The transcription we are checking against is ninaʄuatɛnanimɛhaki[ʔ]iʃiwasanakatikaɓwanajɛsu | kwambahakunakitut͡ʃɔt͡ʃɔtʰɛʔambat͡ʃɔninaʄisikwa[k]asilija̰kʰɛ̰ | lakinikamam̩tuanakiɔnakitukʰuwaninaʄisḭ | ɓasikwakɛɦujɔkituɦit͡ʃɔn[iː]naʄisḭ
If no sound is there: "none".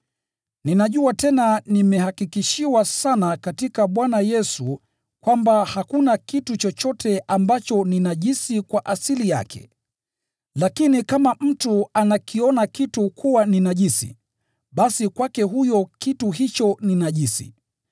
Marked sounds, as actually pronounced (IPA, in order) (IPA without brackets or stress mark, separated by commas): k, ʔ, i